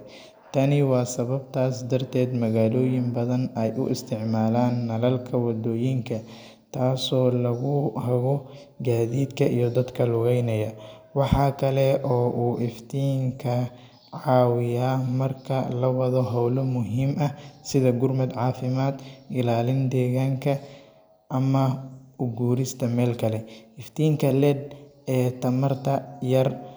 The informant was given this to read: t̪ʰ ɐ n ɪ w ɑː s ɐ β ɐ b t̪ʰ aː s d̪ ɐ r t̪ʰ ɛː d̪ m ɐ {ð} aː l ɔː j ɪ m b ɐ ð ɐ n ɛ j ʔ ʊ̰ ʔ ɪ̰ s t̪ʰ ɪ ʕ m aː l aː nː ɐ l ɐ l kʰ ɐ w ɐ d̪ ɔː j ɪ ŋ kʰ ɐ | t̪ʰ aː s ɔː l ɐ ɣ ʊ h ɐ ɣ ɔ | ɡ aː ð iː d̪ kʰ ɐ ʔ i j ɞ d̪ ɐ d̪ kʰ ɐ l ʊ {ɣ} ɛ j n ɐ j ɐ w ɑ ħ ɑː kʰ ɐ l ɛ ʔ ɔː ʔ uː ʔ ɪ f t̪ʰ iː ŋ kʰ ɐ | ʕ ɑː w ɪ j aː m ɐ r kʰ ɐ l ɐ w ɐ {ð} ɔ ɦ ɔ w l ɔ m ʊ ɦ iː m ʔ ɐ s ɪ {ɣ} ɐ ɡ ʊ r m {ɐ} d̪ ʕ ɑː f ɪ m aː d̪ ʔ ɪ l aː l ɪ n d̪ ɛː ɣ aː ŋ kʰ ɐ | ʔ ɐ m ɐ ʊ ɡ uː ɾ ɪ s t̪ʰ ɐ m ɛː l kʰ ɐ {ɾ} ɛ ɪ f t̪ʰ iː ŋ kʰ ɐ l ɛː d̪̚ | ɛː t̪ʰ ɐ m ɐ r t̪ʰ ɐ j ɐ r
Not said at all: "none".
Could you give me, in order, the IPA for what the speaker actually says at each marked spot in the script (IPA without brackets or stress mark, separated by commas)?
ɣ, ɣ, ð, ð, ɐ, l